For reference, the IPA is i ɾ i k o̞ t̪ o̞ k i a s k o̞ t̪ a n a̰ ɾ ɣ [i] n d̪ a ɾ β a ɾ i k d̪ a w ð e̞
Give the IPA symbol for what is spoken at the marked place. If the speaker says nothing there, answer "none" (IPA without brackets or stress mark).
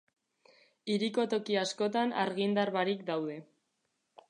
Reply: i